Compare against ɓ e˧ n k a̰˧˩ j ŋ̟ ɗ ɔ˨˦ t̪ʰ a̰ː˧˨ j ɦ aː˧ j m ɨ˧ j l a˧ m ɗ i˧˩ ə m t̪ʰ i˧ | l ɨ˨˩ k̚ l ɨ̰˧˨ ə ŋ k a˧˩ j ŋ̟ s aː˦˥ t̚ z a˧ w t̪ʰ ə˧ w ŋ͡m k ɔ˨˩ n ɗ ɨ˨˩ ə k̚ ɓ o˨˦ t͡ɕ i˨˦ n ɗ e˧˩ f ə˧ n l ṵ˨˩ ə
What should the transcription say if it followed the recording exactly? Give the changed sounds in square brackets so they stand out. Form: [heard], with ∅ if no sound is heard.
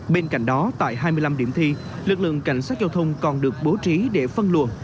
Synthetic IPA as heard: ɓ e˧ n k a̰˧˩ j ŋ̟ ɗ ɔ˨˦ [t̪] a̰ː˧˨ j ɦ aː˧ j m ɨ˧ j l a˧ m ɗ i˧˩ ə m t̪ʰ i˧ | l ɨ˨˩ k̚ l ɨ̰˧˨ ə ŋ k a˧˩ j ŋ̟ s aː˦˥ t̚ z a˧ w t̪ʰ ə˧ w ŋ͡m k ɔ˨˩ n ɗ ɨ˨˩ ə k̚ ɓ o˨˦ t͡ɕ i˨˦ [∅] ɗ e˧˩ f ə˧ n l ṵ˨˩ ə